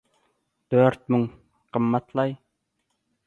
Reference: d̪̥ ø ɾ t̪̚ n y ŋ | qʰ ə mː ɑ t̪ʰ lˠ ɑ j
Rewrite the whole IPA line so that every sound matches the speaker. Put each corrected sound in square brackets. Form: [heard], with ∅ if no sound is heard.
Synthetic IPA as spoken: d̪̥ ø ɾ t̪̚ [m] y ŋ | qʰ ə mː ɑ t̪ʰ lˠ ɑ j